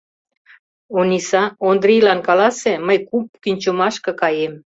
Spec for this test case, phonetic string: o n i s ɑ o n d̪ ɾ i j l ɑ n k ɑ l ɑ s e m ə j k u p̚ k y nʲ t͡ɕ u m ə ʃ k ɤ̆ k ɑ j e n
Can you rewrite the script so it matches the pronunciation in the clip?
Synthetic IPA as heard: o n i s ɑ o n d̪ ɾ i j l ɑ n k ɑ l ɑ s e m ə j k u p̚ k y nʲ t͡ɕ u m ɑ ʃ k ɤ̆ k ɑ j e m